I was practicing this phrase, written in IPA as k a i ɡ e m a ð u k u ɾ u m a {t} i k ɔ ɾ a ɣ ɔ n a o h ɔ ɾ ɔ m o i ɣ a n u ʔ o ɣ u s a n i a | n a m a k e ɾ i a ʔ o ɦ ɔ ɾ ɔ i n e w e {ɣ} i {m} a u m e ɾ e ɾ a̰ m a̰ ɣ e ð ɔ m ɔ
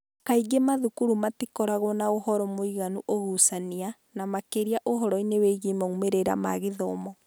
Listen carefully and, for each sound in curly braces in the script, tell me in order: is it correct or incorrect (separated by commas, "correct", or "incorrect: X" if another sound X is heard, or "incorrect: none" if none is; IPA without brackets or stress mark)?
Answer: correct, correct, correct